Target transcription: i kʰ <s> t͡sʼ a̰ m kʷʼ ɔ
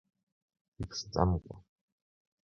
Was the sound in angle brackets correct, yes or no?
yes